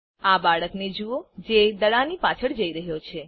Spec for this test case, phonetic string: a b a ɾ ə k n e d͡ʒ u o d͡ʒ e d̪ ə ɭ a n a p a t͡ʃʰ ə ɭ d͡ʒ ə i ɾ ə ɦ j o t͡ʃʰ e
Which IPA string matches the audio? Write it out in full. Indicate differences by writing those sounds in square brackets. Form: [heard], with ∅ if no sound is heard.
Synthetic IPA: a b a [ɭ] ə k n e d͡ʒ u o d͡ʒ e d̪ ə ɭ a n [i] p a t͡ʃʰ ə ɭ d͡ʒ ə i ɾ ə ɦ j o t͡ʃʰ e